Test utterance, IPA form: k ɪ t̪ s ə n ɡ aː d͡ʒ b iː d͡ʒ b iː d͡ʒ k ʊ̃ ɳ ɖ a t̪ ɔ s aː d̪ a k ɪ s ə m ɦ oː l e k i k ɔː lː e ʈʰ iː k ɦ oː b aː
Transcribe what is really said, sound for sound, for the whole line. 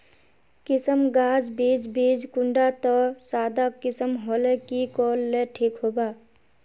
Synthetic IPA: k ɪ s ə m ɡ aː d͡ʒ b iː d͡ʒ b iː d͡ʒ k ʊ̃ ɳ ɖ a t̪ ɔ s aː d̪ a k ɪ s ə m ɦ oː l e k i k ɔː lː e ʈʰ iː k ɦ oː b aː

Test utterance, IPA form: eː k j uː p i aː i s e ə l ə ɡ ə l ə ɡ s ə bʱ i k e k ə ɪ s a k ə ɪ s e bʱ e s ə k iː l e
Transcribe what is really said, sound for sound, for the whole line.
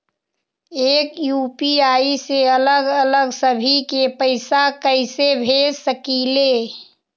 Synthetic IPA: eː k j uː p i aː i s e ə l ə ɡ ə l ə ɡ s ə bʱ i k e p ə ɪ s a k ə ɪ s e bʱ e s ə k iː l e

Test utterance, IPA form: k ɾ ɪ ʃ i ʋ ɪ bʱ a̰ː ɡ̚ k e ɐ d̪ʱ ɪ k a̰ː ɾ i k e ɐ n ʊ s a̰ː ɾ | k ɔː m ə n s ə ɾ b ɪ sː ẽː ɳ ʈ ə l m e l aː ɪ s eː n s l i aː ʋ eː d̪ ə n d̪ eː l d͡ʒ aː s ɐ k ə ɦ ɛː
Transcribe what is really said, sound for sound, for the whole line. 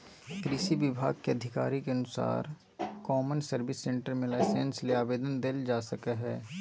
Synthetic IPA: k ɾ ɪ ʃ i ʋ ɪ bʱ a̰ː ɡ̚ k e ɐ d̪ʱ ɪ k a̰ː ɾ i k e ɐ n ʊ s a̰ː ɾ | k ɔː m ə n s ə ɾ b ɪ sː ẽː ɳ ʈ ə ɾ m e l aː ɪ s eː n s l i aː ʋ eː d̪ ə n d̪ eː l d͡ʒ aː s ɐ k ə ɦ ɛː

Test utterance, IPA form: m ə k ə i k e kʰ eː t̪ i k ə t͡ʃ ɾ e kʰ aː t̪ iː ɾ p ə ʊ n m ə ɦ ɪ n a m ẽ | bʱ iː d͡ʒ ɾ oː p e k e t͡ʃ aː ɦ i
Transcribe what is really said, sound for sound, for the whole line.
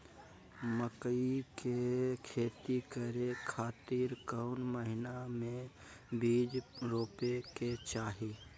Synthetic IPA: m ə k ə i k e kʰ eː t̪ i k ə ɾ e kʰ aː t̪ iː ɾ k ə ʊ n m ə ɦ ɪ n a m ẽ | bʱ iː d͡ʒ ɾ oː p e k e t͡ʃ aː ɦ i

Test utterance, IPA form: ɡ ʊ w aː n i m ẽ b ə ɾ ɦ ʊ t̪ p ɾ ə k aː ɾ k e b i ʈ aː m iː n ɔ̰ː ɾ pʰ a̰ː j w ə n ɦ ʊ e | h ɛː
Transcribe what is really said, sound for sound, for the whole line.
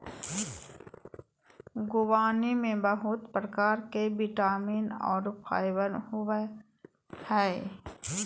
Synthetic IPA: ɡ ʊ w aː n i m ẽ b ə ɦ ʊ t̪ p ɾ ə k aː ɾ k e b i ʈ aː m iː n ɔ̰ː ɾ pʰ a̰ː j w ə n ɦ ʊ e | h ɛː

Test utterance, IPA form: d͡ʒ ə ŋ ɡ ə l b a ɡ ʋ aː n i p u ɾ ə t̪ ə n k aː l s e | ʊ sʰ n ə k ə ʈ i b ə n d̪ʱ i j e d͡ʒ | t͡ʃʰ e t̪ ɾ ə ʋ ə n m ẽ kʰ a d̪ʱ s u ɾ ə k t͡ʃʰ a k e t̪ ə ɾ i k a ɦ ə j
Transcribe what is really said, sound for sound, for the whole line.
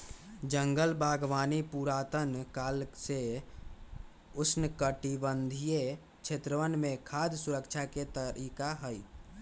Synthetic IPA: d͡ʒ ə ŋ ɡ ə l b a ɡ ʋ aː n i p u ɾ a t̪ ə n k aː l s e | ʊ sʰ n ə k ə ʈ i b ə n d̪ʱ i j e | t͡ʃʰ e t̪ ɾ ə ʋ ə n m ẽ kʰ a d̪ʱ s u ɾ ə k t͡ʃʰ a k e t̪ ə ɾ i k a ɦ ə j

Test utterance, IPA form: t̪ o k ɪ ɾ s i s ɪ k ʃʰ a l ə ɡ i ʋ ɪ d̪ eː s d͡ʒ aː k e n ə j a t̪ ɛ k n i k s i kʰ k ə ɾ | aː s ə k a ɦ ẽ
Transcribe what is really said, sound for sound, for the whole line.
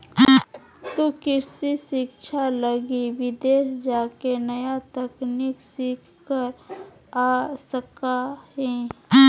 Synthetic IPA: t̪ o k ɪ ɾ s i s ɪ k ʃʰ a l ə ɡ i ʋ ɪ d̪ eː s d͡ʒ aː k e n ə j a t̪ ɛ k n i k s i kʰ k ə ɾ | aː s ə k a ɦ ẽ

